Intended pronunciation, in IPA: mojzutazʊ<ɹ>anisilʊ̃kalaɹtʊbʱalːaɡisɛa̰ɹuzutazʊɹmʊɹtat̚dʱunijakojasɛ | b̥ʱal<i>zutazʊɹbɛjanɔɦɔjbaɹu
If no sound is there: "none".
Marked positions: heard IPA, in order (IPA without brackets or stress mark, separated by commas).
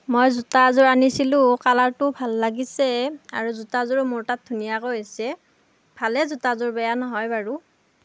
ɹ, ɛ